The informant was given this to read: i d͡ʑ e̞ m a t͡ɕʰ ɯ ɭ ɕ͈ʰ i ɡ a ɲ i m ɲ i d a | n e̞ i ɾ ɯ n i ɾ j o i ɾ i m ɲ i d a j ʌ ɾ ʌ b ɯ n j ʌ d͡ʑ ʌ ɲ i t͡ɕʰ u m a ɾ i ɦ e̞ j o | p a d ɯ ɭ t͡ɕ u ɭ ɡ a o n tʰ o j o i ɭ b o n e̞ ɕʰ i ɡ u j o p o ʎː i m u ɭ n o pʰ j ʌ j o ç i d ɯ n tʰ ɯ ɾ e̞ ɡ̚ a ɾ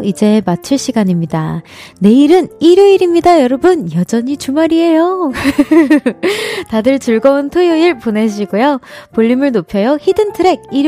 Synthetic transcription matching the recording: i d͡ʑ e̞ m a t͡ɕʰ ɯ ɭ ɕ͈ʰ i ɡ a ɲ i m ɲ i d a | n e̞ i ɾ ɯ n i ɾ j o i ɾ i m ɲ i d a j ʌ ɾ ʌ b ɯ n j ʌ d͡ʑ ʌ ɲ i t͡ɕ u m a ɾ i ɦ e̞ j o | t a d ɯ ɭ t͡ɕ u ɭ ɡ ʌ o n tʰ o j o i ɭ p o n e̞ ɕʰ i ɡ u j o p o ʎː i m ɯ ɭ n o pʰ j ʌ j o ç i d ɯ n tʰ ɯ ɾ e̞ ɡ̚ i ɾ